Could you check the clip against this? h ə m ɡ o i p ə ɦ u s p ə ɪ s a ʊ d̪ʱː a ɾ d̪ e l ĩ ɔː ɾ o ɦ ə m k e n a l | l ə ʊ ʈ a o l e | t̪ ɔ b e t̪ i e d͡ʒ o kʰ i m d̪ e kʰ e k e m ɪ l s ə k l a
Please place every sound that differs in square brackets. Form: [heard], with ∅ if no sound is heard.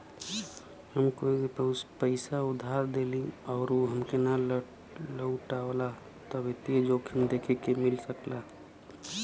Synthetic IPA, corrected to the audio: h ə m [k] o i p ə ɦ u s p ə ɪ s a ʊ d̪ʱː a ɾ d̪ e l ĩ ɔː ɾ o ɦ ə m k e n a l | l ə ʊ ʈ a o l [a] | t̪ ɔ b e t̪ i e d͡ʒ o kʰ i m d̪ e kʰ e k e m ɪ l s ə k l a